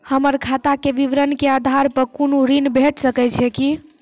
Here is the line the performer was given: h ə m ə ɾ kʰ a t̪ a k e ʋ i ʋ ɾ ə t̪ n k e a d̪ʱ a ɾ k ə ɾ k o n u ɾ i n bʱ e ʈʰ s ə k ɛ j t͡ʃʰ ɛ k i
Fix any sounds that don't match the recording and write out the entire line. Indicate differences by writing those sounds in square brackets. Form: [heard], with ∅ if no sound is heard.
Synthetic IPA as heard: h ə m ə ɾ kʰ a t̪ a k e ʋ i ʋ ɾ ə [∅] n k e a d̪ʱ a ɾ [p] ə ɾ k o n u ɾ i n bʱ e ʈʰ s ə k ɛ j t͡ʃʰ ɛ k i